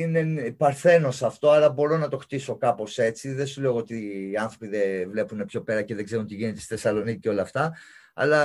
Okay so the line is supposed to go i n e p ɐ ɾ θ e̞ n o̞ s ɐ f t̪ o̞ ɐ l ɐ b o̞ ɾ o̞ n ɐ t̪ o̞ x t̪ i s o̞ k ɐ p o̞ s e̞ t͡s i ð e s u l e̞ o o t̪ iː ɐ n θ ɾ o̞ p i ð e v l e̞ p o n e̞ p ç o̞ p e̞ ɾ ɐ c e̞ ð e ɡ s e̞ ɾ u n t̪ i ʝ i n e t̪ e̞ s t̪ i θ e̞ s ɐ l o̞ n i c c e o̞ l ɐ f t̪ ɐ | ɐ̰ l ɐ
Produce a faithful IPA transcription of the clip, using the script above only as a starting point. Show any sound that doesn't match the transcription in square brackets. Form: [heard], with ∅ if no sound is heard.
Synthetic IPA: i n e p ɐ ɾ θ e̞ n o̞ s ɐ f t̪ o̞ ɐ l ɐ b o̞ ɾ o̞ n ɐ t̪ o̞ x t̪ i s o̞ k ɐ p o̞ s e̞ t͡s i ð e s u l e̞ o o t̪ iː ɐ n θ ɾ o̞ p i ð e v l e̞ p [u] n e̞ p ç o̞ p e̞ ɾ ɐ c e̞ ð e ɡ [z] e̞ ɾ u n t̪ i ʝ i n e t̪ e̞ s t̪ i θ e̞ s ɐ l o̞ n i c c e o̞ l ɐ f t̪ ɐ | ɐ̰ l ɐ